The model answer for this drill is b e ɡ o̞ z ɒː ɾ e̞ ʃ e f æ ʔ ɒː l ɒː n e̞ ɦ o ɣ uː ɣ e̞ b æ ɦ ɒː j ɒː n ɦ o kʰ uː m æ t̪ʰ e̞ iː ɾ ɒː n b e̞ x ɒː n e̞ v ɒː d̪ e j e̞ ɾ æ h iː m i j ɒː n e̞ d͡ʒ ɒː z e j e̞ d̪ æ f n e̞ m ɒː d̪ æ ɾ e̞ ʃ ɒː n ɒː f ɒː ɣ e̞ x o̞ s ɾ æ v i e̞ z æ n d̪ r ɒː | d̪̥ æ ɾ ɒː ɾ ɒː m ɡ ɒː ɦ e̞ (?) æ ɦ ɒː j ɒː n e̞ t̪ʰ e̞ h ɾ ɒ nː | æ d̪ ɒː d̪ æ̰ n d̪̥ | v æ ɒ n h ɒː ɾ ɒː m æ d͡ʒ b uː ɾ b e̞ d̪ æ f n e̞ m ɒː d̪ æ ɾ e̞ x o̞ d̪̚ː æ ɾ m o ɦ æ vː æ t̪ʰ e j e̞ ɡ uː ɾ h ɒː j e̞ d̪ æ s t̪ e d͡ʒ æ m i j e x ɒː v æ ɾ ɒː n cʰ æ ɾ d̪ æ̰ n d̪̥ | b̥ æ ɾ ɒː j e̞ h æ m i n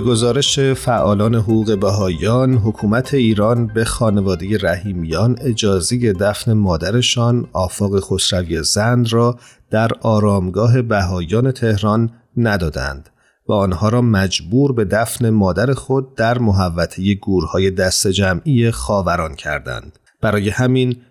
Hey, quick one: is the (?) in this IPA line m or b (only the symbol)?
b